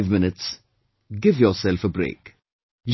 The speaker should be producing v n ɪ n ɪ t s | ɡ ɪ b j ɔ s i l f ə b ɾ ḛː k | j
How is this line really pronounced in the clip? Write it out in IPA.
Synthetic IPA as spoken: v m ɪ n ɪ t s | ɡ ɪ v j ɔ s ɛ l f ə b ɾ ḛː k | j